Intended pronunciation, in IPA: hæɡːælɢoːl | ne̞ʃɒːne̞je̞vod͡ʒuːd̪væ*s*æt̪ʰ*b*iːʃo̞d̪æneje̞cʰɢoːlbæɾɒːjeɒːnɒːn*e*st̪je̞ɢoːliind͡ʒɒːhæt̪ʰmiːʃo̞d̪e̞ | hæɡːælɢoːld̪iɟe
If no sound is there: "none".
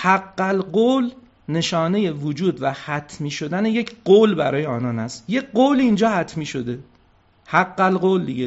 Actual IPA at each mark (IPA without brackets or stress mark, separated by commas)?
h, m, æ